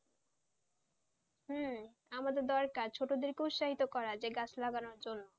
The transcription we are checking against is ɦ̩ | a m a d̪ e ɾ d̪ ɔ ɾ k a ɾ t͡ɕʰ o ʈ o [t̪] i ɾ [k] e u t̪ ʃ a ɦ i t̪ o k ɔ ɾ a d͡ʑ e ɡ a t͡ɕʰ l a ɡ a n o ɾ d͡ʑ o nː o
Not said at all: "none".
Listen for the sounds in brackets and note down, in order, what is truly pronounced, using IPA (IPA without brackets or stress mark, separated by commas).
d̪, k